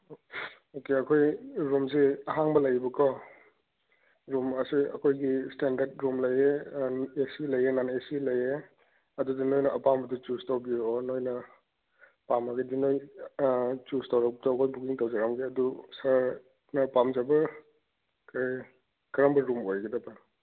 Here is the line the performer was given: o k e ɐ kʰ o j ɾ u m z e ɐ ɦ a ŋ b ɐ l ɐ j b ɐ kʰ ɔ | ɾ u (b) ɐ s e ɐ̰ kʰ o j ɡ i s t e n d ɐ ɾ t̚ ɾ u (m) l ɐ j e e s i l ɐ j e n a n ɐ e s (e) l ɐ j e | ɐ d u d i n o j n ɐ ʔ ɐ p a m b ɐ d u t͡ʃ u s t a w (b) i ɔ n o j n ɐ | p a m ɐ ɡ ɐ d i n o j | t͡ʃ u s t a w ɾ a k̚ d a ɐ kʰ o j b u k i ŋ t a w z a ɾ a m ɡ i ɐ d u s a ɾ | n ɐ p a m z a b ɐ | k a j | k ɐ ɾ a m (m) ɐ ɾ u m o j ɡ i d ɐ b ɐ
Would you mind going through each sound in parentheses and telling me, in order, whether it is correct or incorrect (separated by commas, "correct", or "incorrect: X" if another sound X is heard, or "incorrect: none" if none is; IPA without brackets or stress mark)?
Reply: incorrect: m, correct, incorrect: i, correct, incorrect: b